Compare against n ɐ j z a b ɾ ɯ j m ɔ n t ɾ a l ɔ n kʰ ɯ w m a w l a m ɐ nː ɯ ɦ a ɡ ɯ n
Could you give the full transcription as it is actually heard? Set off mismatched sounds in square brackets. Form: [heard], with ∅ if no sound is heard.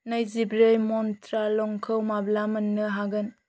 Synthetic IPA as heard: n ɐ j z [i] b ɾ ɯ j m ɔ n t ɾ a l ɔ [ŋ] kʰ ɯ w m a [b] l a m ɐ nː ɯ ɦ a ɡ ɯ n